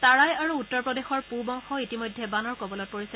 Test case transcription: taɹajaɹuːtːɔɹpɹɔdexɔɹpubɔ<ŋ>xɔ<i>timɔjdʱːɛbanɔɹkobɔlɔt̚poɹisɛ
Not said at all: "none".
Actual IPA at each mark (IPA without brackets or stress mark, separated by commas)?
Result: ŋ, i